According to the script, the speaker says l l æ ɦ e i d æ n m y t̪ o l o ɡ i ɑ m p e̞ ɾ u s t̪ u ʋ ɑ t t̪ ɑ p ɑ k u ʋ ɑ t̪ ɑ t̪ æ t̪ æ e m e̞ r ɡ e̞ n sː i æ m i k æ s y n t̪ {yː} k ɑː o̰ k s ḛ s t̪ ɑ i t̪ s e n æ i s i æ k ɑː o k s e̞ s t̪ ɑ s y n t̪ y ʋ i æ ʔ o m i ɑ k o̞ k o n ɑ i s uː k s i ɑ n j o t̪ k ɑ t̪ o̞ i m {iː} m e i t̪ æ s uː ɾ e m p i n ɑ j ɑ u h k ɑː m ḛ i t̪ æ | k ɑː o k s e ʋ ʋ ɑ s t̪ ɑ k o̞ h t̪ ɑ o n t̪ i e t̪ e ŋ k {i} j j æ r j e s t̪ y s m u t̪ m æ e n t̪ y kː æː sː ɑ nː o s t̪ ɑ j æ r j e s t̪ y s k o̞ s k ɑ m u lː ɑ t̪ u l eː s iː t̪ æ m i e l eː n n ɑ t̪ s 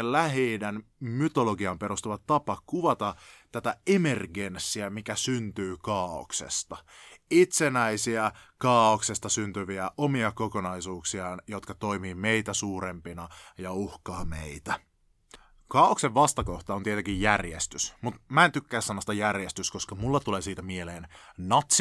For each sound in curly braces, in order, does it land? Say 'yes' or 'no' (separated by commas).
yes, yes, yes